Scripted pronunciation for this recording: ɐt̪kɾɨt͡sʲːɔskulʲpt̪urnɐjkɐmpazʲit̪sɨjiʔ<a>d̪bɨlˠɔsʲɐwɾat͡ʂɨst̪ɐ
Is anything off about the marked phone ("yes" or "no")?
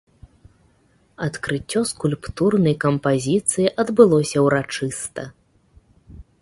yes